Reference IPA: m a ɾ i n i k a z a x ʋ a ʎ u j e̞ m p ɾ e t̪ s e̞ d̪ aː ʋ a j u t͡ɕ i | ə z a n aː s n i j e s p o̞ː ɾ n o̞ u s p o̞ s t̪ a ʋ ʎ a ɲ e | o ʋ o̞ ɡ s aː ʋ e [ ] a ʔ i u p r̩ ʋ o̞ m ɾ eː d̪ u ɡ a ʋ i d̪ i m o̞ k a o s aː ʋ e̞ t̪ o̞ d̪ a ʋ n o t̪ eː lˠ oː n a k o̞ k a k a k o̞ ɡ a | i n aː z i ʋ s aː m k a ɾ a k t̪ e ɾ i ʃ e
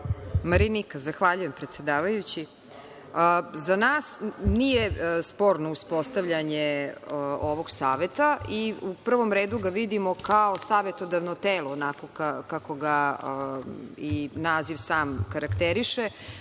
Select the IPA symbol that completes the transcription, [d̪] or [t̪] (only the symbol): t̪